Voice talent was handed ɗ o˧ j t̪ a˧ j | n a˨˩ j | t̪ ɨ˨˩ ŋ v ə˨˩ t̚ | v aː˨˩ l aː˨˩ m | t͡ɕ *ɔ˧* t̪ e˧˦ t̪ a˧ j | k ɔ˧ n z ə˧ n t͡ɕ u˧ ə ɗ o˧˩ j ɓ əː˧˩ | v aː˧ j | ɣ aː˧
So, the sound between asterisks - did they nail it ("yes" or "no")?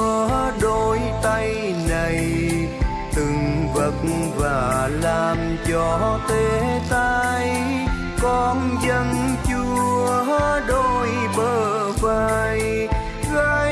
yes